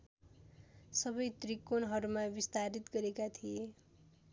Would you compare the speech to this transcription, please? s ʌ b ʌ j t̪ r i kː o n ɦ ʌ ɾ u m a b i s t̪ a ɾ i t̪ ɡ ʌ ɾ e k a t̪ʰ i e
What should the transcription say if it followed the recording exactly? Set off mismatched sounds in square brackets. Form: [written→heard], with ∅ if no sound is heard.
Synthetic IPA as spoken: s ʌ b ʌ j t̪ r i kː o n ɦ ʌ ɾ u m a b i s t̪ a ɾ i t̪ ɡ ʌ ɾ e k a t̪ʰ i e